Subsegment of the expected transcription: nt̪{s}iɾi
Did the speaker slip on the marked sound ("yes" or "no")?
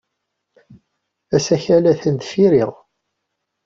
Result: yes